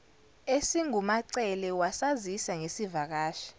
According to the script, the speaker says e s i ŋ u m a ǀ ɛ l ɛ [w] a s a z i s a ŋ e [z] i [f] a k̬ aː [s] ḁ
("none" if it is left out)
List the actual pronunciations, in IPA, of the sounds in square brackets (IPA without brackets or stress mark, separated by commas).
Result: w, s, v, ʃ